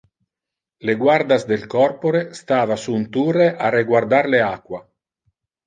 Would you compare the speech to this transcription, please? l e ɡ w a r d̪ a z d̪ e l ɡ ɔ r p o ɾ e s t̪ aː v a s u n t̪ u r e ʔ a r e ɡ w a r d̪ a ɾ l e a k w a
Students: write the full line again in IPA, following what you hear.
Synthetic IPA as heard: l e ɡ w a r d̪ a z d̪ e l k ɔ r p o ɾ e s t̪ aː v a s u n t̪ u r e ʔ a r e ɡ w a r d̪ a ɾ l e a k w a